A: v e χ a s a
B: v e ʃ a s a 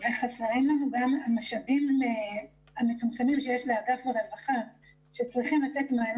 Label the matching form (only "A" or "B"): A